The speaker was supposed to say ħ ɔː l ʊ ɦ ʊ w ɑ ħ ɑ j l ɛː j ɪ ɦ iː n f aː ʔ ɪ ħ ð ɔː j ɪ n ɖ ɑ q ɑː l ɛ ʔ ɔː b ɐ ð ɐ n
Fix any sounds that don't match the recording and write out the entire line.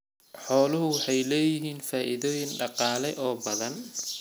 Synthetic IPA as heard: ħ ɔː l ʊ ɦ ʊ w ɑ ħ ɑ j l ɛː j ɪ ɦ iː n f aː ʔ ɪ ð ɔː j ɪ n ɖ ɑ q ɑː l ɛ ʔ ɔː b ɐ ð ɐ n